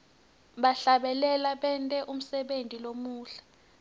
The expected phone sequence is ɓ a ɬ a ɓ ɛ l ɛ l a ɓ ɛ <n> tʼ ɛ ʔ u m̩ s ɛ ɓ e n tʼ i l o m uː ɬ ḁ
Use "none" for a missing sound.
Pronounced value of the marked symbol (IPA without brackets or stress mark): n